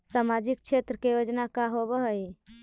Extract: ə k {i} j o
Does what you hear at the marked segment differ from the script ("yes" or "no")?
yes